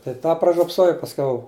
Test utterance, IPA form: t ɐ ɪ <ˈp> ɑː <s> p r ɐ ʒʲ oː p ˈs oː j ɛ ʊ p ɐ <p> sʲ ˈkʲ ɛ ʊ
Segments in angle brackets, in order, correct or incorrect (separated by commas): incorrect, incorrect, incorrect